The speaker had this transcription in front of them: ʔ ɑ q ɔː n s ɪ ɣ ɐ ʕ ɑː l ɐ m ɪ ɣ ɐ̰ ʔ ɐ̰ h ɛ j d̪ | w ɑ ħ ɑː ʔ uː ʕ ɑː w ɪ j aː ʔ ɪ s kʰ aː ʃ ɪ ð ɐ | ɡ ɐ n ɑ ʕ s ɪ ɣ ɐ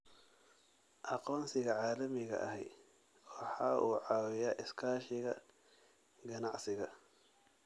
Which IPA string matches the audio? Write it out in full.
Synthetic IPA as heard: ʔ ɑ q ɔː n s ɪ ɣ ɐ ʕ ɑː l ɐ m ɪ ɣ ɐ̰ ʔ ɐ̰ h ɛ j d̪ | w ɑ ħ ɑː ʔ uː ʕ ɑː w ɪ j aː ʔ ɪ s kʰ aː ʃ ɪ ɣ ɐ | ɡ ɐ n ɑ ʕ s ɪ ɣ ɐ

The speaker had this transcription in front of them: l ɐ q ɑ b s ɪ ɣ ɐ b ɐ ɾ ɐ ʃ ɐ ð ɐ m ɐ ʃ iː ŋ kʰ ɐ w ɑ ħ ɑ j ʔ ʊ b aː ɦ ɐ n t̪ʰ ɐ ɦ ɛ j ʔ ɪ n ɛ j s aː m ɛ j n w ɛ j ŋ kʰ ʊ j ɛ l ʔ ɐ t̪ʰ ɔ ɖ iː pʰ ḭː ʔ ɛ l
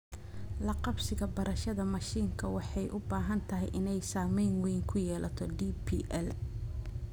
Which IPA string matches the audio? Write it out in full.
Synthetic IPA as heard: l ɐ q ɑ b s ɪ ɣ ɐ b ɐ ɾ ɐ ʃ ɐ ð ɐ m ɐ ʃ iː ŋ kʰ ɐ w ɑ ħ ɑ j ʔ ʊ b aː ɦ ɐ n t̪ʰ ɐ ɦ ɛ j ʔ ɪ n ɛ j s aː m ɛ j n w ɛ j ŋ kʰ ʊ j ɛː l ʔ ɐ t̪ʰ ɔ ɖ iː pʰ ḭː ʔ ɛ l

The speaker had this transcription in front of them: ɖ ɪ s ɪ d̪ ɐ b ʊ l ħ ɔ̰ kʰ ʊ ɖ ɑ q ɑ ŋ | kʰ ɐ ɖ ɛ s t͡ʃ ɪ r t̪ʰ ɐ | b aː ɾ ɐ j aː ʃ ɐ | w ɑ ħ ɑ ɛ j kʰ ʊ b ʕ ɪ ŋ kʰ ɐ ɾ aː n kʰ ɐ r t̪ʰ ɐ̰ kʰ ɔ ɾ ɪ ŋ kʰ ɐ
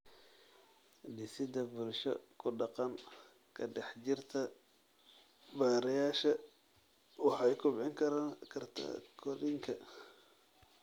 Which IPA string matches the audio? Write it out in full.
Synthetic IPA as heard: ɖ ɪ s ɪ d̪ ɐ b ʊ l ʃ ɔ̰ kʰ ʊ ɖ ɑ q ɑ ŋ | kʰ ɐ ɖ ɛ ħ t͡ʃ ɪ r t̪ʰ ɐ | b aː ɾ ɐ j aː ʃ ɐ | w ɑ ħ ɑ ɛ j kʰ ʊ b ʕ ɪ ŋ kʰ ɐ ɾ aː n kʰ ɐ r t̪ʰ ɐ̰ kʰ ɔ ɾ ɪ ŋ kʰ ɐ

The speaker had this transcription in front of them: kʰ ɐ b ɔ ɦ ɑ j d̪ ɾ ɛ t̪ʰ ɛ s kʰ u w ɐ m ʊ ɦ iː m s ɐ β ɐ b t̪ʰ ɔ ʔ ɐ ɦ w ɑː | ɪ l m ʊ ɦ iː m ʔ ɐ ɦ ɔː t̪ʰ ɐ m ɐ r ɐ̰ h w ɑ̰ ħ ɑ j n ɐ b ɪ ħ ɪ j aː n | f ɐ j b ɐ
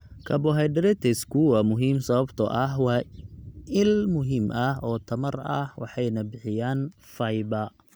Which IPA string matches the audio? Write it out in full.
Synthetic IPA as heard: kʰ ɐ b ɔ ɦ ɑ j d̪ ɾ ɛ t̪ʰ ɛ s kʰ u w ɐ m ʊ ɦ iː m s ɐ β ɐ b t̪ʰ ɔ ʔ ɐ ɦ w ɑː | ɪ l m ʊ ɦ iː m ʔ ɐ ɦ ɔː t̪ʰ ɐ m ɐ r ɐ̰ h w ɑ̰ ħ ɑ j n ɐ b ɪ ħ ɪ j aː n | f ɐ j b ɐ

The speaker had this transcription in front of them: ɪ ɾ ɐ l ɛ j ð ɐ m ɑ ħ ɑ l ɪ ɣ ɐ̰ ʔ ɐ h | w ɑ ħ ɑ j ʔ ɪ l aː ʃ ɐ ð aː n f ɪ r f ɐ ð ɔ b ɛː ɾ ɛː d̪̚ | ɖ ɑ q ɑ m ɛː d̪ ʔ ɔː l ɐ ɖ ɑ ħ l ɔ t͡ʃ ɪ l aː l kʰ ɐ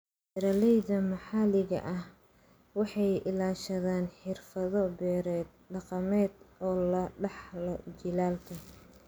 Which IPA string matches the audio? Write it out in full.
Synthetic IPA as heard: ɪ ɾ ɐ l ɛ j ð ɐ m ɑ ħ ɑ l ɪ ɣ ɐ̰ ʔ ɐ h | w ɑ ħ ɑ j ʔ ɪ l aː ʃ ɐ ð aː n ħ ɪ r f ɐ ð ɔ b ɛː ɾ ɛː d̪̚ | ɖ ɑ q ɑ m ɛː d̪ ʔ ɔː l ɐ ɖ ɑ ħ l ɔ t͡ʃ ɪ l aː l kʰ ɐ

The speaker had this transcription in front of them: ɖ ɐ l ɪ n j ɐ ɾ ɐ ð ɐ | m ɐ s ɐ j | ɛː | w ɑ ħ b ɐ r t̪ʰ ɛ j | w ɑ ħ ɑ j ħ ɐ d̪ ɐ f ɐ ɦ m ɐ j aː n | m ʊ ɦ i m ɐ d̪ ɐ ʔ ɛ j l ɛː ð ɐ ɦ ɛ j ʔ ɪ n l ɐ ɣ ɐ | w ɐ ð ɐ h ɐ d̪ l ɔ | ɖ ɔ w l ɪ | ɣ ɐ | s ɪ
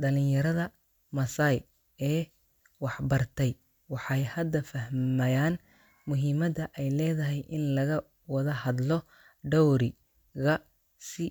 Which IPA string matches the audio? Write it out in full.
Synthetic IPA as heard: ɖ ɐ l ɪ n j ɐ ɾ ɐ ð ɐ | m ɐ s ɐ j | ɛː | w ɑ ħ b ɐ r t̪ʰ ɛ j | w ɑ ħ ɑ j h ɐ d̪ ɐ f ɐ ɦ m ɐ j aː n | m ʊ ɦ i m ɐ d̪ ɐ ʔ ɛ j l ɛː ð ɐ ɦ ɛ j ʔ ɪ n l ɐ ɣ ɐ | w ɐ ð ɐ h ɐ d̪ l ɔ | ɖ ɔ w ɾ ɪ | ɣ ɐ | s ɪ

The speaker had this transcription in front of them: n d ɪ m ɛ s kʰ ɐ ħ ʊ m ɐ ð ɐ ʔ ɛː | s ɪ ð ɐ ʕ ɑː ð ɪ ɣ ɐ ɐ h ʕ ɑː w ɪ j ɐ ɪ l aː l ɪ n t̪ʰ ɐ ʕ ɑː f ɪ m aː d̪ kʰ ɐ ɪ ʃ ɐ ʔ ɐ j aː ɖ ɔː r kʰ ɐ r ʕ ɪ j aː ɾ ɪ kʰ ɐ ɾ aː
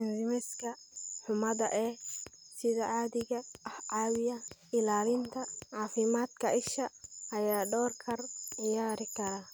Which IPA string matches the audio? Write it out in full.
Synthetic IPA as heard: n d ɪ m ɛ s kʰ ɐ ħ ʊ m ɐ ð ɐ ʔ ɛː | s ɪ ð ɐ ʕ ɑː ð ɪ ɣ ɐ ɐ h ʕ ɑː w ɪ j ɐ ɪ l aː l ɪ n t̪ʰ ɐ ʕ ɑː f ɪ m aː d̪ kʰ ɐ ɪ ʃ ɐ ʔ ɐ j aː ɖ ɔː r kʰ ɐ r ʕ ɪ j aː ɾ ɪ kʰ ɐ ɾ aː

